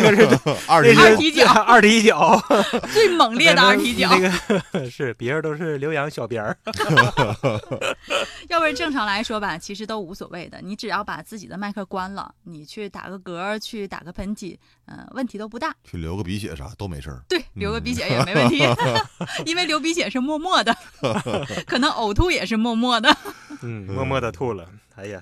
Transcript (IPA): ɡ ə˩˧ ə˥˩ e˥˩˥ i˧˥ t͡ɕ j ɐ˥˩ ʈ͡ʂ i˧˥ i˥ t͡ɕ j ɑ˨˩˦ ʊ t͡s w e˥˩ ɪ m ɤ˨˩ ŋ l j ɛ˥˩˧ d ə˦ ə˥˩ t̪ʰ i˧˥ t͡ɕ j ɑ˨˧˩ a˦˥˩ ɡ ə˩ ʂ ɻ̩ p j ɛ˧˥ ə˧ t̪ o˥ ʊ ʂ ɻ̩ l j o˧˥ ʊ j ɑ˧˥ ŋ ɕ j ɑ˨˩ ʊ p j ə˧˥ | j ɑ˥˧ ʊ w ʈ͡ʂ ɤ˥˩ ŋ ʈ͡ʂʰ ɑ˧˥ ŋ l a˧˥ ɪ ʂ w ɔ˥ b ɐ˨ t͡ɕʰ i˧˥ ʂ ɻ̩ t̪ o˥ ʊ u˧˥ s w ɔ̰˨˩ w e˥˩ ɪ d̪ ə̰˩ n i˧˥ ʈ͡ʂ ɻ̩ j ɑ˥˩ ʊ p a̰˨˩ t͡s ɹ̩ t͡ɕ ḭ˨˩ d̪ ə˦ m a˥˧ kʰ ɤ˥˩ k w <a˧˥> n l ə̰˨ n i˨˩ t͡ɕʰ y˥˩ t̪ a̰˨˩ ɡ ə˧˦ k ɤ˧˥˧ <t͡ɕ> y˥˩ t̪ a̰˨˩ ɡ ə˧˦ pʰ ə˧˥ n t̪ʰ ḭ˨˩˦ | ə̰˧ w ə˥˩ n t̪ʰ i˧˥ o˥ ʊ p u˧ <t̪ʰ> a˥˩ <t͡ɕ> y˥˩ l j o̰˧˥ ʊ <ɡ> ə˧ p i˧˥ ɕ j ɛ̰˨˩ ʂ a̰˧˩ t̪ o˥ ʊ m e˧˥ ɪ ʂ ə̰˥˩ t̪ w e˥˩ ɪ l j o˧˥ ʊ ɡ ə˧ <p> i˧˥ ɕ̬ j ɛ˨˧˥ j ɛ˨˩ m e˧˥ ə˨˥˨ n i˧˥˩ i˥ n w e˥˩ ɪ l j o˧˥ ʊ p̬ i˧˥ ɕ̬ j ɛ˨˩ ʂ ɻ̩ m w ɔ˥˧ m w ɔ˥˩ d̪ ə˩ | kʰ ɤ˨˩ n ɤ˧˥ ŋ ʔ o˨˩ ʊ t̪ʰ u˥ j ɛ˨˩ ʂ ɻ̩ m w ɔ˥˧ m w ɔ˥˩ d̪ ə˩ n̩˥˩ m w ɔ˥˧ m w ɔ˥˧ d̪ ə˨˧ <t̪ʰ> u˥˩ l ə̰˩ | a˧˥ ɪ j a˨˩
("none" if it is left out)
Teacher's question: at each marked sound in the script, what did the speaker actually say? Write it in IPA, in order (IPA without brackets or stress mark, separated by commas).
a˥, t͡ɕʰ, t̪, t͡ɕʰ, ɡ, p, t̪ʰ